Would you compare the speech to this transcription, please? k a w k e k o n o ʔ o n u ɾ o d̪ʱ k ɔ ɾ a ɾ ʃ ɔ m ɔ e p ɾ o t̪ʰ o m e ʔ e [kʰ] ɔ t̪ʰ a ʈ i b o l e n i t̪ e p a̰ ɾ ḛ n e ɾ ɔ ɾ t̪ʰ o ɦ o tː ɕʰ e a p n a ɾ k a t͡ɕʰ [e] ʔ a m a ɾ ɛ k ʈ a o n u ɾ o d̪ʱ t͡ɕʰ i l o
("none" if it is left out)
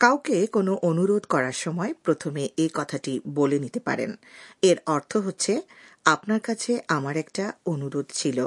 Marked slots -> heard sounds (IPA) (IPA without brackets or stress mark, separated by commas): k, e